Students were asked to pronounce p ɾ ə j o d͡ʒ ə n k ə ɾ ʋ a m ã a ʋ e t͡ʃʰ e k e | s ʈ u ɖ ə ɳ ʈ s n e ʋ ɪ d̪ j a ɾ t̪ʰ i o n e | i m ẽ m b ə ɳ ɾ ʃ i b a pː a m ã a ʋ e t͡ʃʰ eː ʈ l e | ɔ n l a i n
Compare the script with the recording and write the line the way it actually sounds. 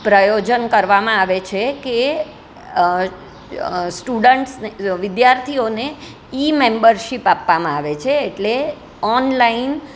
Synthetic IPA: p ɾ ə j o d͡ʒ ə n k ə ɾ ʋ a m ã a ʋ e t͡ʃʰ e k e | s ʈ u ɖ ə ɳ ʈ s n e ʋ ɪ d̪ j a ɾ t̪ʰ i o n e | i m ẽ m b ə ɾ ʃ i p a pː a m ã a ʋ e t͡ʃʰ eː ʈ l e | ɔ n l a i n